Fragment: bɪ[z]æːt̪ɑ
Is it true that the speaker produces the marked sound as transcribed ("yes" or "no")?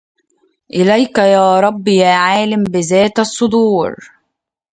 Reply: yes